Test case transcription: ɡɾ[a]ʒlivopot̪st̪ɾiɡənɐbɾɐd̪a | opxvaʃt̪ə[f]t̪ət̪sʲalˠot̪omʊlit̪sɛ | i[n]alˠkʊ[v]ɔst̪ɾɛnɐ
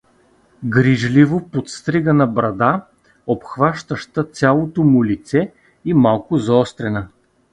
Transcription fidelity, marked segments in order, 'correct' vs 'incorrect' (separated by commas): incorrect, incorrect, incorrect, incorrect